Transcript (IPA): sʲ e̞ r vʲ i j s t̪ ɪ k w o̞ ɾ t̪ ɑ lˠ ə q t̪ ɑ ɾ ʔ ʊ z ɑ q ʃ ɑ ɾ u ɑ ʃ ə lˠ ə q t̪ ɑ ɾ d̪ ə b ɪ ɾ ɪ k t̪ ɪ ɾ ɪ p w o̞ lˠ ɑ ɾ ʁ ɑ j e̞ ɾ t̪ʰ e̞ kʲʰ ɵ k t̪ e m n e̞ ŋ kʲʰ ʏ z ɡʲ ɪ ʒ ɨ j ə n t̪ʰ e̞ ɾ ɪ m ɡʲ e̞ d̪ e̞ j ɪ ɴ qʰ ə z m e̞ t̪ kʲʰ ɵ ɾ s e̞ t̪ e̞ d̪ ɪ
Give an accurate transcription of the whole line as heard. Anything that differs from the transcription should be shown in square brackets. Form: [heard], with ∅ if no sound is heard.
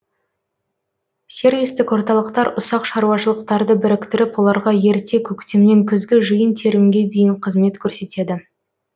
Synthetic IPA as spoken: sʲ e̞ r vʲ i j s t̪ ɪ k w o̞ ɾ t̪ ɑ lˠ ə q t̪ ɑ ɾ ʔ ʊ [s] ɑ q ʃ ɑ ɾ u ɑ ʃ ə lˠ ə q t̪ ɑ ɾ d̪ ə b ɪ ɾ ɪ k t̪ ɪ ɾ ɪ p w o̞ lˠ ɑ ɾ ʁ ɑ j e̞ ɾ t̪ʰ e̞ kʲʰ ɵ k t̪ e m n e̞ ŋ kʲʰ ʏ z ɡʲ ɪ ʒ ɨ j ə n t̪ʰ e̞ ɾ ɪ m ɡʲ e̞ d̪ e̞ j ɪ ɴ qʰ ə z m e̞ t̪ kʲʰ ɵ ɾ s e̞ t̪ e̞ d̪ ɪ